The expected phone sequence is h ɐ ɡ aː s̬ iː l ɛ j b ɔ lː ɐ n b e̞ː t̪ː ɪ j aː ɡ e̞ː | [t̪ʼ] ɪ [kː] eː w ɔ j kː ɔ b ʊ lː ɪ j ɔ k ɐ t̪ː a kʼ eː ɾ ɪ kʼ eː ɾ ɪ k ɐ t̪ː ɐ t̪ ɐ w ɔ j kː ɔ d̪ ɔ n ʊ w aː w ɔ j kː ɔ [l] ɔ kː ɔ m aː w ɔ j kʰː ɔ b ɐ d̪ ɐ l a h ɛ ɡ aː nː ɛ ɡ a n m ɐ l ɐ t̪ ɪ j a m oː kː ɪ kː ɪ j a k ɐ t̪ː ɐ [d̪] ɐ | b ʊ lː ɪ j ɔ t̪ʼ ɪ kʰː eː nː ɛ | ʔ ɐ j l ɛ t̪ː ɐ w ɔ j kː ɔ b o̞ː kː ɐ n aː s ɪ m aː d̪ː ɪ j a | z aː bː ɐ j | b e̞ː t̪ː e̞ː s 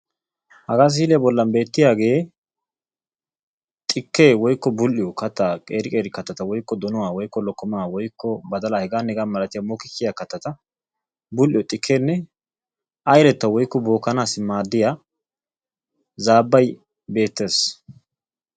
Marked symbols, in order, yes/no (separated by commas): yes, yes, yes, no